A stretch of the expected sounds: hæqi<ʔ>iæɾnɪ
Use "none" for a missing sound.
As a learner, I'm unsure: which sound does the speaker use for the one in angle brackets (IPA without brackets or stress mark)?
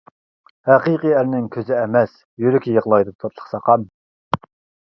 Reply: q